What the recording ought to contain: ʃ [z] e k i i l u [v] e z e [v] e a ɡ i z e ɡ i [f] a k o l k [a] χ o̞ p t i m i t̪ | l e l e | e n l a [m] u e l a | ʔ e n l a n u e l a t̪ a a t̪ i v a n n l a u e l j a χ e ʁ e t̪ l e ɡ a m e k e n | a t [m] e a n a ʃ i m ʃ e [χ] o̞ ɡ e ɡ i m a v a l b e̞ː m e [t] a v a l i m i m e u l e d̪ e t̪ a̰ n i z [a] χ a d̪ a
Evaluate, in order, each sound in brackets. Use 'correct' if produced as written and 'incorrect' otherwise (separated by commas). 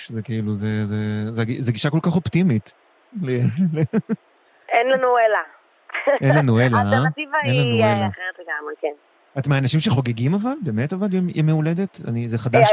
correct, incorrect, incorrect, incorrect, correct, incorrect, correct, correct, correct, incorrect